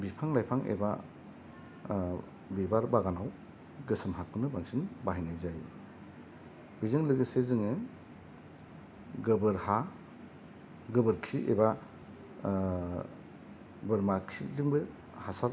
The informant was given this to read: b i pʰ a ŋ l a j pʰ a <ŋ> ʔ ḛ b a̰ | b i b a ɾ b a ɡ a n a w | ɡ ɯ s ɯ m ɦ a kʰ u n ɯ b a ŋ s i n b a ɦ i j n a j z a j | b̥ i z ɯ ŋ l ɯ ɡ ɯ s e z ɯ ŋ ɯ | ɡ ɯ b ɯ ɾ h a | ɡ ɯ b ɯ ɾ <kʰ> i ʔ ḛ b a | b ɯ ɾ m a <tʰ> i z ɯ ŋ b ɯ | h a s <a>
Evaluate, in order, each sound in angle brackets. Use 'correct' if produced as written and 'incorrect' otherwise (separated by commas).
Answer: correct, correct, incorrect, correct